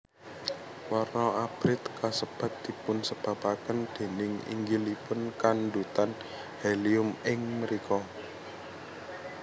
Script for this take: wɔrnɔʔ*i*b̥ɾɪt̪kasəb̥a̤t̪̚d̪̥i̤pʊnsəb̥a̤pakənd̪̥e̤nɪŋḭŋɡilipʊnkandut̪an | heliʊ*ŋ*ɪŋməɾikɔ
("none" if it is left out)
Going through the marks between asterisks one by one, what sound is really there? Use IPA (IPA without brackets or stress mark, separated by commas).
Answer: a, m